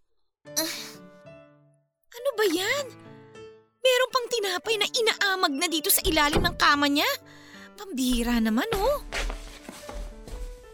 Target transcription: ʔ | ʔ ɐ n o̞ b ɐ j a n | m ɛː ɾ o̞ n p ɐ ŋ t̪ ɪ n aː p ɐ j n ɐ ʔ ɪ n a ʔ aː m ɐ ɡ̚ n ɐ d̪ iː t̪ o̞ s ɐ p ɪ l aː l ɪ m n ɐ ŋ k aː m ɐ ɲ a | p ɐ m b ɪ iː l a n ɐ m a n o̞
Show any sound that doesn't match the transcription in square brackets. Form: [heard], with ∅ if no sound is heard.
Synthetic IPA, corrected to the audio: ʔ | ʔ ɐ n o̞ b ɐ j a n | m ɛː ɾ o̞ n p ɐ ŋ t̪ ɪ n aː p ɐ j n ɐ ʔ ɪ n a ʔ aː m ɐ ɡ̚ n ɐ d̪ iː t̪ o̞ s ɐ [ʔ] ɪ l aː l ɪ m n ɐ ŋ k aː m ɐ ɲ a | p ɐ m b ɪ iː [ɾ] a n ɐ m a n o̞